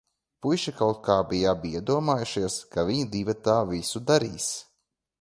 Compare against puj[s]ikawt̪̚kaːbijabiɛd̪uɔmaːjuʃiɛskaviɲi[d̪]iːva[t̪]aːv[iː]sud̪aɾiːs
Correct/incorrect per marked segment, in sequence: incorrect: ʃ, correct, correct, incorrect: i

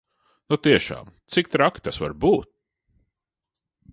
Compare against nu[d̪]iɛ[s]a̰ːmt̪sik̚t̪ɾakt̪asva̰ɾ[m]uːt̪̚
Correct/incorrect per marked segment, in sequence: incorrect: t̪, incorrect: ʃ, incorrect: b

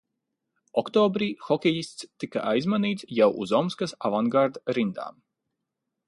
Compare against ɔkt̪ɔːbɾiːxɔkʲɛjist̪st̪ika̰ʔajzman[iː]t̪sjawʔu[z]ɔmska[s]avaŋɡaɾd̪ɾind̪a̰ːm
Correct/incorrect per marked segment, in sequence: correct, correct, correct

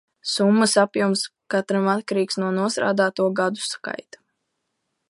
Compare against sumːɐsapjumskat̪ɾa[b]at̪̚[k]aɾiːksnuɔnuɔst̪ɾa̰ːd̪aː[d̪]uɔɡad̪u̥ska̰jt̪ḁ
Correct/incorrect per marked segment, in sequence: incorrect: m, correct, incorrect: t̪

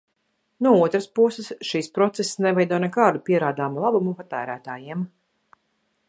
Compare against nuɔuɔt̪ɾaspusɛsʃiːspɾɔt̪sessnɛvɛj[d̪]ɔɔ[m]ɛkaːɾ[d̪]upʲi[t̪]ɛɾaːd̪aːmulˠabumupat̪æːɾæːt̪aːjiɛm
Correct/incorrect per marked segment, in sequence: correct, incorrect: n, correct, incorrect: none

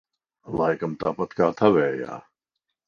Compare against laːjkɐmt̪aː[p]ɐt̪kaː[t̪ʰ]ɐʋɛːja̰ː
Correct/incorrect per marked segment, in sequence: correct, correct

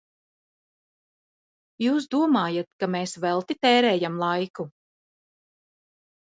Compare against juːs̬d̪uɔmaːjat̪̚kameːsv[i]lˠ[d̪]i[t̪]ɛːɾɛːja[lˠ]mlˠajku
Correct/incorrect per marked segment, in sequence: incorrect: ɛ, incorrect: t̪, correct, incorrect: none

